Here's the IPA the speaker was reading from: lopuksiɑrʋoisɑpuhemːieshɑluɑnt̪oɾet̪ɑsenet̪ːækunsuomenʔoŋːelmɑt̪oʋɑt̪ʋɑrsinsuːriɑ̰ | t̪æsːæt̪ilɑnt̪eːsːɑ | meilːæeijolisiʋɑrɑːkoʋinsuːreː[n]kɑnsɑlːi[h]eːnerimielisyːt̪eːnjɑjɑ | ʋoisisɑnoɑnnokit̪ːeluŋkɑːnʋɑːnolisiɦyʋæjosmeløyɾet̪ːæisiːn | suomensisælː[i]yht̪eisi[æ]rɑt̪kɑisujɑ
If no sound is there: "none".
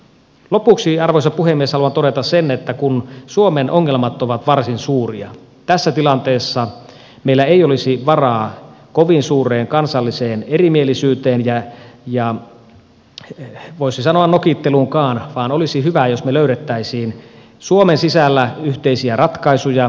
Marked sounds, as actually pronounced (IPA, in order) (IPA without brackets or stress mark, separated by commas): ŋ, s, æ, æ